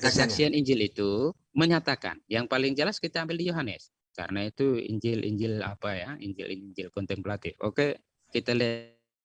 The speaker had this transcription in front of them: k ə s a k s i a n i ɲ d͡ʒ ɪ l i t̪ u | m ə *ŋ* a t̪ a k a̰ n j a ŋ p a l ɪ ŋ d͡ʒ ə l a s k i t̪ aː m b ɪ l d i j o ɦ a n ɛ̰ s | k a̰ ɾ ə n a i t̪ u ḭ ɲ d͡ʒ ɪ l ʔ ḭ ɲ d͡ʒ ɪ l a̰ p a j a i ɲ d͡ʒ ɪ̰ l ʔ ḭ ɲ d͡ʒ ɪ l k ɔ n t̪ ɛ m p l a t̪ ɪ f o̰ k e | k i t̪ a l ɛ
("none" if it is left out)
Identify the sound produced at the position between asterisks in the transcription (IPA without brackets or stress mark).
ɲ